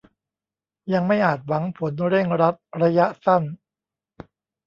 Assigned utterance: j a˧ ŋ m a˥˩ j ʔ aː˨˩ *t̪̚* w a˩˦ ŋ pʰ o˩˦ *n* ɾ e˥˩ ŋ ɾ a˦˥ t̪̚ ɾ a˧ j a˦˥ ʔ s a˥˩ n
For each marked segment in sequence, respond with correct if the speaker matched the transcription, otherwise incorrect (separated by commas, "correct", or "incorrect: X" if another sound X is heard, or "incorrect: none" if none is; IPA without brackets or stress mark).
correct, correct